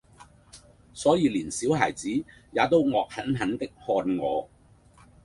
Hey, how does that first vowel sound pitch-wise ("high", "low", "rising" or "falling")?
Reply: rising